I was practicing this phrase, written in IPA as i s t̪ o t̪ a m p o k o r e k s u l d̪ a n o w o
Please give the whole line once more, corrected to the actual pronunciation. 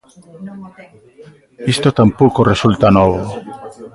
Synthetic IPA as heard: i s t̪ o t̪ a m p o k o r e s u l t̪ a n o β o